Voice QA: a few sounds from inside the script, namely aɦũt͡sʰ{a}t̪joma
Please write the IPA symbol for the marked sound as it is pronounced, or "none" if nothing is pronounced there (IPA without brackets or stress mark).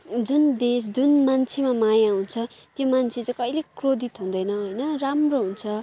ʌ